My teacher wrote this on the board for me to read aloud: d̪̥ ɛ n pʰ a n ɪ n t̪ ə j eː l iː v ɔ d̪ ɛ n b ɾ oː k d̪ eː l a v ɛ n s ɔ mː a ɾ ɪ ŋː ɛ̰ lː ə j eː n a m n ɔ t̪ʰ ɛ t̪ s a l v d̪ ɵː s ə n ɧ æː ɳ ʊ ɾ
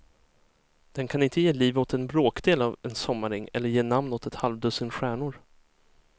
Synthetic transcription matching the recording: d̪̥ ɛ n kʰ a n ɪ n t̪ ə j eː l iː v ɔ t̪ ɛ n b ɾ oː k d̪ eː l a v ɛ n s ɔ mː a ɾ ɪ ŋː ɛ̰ lː ə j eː n a m n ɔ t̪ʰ ɛ t̪ h a l v d̪ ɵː s ə n ɧ æː ɳ ʊ ɾ